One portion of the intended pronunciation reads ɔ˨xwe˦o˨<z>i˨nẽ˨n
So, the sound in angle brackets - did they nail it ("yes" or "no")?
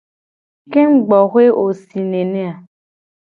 no